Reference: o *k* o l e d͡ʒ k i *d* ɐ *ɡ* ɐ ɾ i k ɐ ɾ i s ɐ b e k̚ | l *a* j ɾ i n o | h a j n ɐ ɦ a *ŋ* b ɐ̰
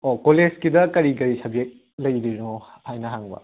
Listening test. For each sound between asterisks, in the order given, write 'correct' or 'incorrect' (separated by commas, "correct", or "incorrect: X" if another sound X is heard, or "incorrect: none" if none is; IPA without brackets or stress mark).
correct, correct, incorrect: k, incorrect: ɐ, correct